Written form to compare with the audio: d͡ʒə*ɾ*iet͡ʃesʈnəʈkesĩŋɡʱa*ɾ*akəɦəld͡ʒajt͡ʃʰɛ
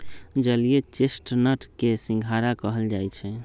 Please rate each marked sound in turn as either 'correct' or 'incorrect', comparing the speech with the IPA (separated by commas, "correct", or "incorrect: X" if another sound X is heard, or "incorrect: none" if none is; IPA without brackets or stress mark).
incorrect: l, correct